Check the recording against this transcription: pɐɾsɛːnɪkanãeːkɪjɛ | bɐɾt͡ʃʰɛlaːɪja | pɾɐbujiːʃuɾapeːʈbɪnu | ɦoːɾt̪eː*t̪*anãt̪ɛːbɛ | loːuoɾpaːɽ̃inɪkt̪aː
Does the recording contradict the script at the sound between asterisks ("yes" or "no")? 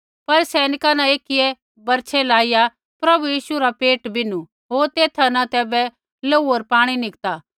yes